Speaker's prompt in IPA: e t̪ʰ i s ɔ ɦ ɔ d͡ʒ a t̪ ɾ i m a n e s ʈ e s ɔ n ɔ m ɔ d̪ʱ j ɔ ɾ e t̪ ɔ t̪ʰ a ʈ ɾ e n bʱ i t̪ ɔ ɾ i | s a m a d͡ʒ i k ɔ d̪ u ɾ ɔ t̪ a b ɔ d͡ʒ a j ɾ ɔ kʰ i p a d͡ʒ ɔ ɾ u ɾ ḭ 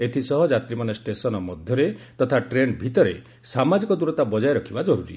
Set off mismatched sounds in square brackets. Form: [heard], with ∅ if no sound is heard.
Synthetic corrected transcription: e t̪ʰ i s ɔ ɦ ɔ d͡ʒ a t̪ ɾ i m a n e s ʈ e s ɔ n ɔ m ɔ d̪ʱ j ɔ ɾ e t̪ ɔ t̪ʰ a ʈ ɾ e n bʱ i t̪ ɔ ɾ [e] | s a m a d͡ʒ i k ɔ d̪ u ɾ ɔ t̪ a b ɔ d͡ʒ a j ɾ ɔ kʰ i [b] a d͡ʒ ɔ ɾ u ɾ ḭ